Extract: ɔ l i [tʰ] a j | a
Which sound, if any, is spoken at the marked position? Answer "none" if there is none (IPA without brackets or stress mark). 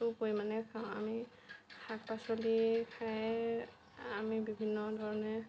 kʰ